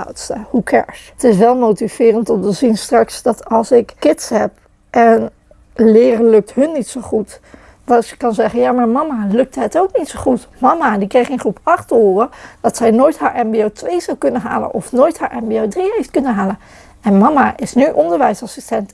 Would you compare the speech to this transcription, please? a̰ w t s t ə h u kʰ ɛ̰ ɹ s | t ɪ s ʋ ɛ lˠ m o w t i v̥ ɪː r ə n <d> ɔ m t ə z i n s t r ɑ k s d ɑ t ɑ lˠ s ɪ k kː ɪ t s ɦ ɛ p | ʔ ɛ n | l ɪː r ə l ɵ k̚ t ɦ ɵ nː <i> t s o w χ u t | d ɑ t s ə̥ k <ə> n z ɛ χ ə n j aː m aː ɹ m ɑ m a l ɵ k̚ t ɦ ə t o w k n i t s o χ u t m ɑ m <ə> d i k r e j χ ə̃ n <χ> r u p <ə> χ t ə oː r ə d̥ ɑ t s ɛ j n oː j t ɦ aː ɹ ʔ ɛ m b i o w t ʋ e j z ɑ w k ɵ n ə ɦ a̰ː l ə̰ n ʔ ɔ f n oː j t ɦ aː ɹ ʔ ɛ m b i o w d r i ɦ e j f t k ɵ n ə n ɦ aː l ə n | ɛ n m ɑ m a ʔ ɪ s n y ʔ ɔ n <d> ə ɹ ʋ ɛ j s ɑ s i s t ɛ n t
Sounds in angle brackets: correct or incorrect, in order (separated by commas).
incorrect, correct, incorrect, incorrect, correct, incorrect, correct